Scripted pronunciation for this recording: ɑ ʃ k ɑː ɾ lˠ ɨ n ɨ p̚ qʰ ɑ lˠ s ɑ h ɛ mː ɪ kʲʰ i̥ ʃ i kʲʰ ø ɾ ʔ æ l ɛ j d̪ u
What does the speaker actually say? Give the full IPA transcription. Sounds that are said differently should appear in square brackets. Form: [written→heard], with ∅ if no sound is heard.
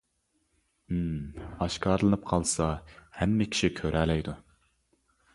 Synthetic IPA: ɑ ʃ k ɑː ɾ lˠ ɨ n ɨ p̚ qʰ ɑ lˠ s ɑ h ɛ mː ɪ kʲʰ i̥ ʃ i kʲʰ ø ɾ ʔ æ l ɛ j d̪ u